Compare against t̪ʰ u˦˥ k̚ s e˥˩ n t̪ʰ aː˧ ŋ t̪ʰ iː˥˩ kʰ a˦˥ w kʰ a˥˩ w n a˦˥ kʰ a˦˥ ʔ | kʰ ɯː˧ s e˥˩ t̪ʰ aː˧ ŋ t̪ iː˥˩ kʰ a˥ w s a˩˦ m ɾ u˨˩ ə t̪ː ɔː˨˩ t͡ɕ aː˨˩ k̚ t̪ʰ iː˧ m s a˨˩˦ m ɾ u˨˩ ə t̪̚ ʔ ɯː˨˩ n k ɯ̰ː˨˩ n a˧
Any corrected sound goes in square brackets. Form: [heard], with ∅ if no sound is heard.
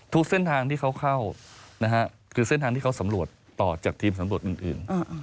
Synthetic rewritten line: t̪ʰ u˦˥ k̚ s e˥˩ n t̪ʰ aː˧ ŋ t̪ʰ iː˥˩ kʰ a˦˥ w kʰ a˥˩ w n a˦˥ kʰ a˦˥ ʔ | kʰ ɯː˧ s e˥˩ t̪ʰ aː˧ ŋ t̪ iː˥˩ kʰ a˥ w s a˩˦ m ɾ u˨˩ ə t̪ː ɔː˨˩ t͡ɕ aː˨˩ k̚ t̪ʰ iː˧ m s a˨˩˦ m ɾ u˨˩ ə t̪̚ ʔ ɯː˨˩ n [ʔ] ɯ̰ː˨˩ n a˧